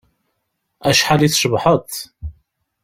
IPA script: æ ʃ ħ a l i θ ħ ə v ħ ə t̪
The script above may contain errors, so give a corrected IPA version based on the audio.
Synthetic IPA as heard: æ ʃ ħ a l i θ ʃ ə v ħ ə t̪